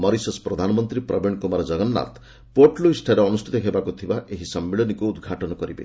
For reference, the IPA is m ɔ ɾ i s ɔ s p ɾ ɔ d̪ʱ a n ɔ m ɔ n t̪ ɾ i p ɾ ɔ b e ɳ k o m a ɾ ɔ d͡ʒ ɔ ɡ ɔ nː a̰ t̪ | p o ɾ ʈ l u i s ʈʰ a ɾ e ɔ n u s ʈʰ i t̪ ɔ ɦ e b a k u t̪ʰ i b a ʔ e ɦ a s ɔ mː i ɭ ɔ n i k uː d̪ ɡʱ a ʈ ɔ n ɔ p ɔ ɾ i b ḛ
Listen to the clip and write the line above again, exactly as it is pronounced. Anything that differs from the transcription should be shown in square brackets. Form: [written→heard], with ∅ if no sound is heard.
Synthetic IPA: m ɔ ɾ i s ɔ s p ɾ ɔ d̪ʱ a n ɔ m ɔ n t̪ ɾ i p ɾ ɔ b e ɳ k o m a ɾ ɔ d͡ʒ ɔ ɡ ɔ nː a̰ t̪ | p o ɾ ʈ l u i s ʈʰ a ɾ e ɔ n u s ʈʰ i t̪ ɔ ɦ e b a k u t̪ʰ i b a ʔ e ɦ [a→i] s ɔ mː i ɭ ɔ n i k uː d̪ ɡʱ a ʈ ɔ n ɔ [p→k] ɔ ɾ i b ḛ